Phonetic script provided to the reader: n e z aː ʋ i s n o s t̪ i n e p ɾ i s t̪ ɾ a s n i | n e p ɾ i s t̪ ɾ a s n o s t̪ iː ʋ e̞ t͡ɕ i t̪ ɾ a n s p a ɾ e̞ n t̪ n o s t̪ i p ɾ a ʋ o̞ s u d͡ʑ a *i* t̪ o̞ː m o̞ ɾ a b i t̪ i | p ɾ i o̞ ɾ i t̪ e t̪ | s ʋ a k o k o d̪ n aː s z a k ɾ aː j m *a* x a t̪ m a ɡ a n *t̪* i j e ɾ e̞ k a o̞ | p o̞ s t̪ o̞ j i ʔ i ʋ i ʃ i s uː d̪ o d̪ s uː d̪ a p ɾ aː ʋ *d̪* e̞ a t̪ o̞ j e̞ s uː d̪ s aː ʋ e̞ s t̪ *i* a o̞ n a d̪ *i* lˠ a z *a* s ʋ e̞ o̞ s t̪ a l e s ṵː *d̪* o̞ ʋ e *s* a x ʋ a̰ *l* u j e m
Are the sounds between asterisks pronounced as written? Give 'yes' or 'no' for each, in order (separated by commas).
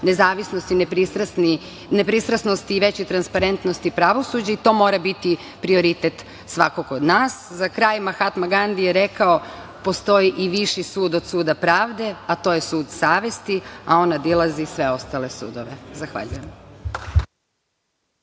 yes, yes, no, yes, yes, yes, no, yes, no, no